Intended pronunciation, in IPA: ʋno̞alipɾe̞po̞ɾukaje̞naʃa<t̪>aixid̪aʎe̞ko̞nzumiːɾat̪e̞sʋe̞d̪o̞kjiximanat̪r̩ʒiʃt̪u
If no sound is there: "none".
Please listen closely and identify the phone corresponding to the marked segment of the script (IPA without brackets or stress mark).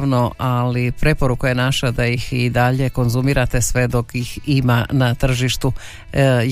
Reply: d̪